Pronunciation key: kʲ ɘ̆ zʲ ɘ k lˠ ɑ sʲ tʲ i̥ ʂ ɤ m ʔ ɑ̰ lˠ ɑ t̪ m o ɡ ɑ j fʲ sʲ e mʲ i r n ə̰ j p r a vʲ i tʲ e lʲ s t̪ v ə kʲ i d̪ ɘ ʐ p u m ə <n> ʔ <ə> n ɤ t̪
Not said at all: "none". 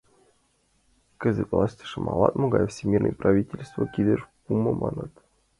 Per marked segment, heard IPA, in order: m, ɑ

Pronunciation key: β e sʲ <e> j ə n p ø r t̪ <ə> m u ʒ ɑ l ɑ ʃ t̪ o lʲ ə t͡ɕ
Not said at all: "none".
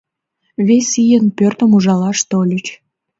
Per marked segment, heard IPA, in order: i, ə

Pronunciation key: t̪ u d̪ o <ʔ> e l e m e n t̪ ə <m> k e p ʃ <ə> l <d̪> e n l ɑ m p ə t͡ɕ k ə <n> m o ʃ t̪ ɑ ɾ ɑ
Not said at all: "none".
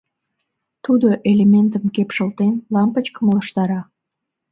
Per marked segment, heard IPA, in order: ʔ, m, ə, t̪, none

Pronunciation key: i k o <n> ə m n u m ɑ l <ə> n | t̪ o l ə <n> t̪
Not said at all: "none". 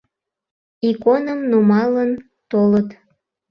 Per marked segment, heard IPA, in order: n, ə, none

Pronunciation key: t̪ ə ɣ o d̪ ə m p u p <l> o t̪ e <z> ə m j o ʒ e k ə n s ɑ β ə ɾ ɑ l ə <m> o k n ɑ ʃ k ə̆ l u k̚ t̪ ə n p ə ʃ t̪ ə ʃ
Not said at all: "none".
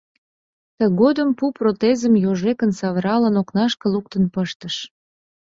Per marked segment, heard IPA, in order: r, z, n

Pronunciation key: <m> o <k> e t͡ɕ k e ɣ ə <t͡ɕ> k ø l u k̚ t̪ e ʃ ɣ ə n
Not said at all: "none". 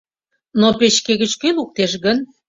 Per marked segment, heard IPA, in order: n, p, t͡ɕ

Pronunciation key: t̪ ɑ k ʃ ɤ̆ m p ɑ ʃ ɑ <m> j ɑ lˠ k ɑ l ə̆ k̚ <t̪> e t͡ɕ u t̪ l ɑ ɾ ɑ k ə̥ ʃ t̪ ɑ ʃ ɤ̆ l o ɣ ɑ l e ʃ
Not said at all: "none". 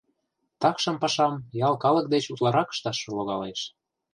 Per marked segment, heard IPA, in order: m, d̪

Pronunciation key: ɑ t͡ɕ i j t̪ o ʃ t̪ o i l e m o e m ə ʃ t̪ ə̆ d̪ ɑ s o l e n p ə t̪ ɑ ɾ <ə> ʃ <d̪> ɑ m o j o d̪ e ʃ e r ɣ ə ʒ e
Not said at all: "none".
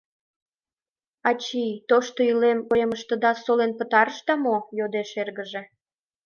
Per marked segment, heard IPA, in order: ə, t̪

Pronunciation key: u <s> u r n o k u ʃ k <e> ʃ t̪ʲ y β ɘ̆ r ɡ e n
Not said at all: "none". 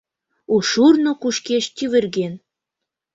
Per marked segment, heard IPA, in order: ʃ, e

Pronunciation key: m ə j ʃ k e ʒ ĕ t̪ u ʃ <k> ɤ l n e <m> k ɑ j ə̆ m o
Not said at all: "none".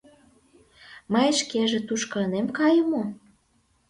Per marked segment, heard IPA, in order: k, m

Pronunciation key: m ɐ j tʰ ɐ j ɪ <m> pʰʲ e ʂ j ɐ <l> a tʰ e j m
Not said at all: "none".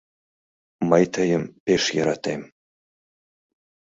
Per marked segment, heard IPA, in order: m, ɾ

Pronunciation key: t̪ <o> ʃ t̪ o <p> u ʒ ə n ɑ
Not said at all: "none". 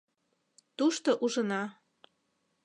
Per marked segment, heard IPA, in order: u, ʔ

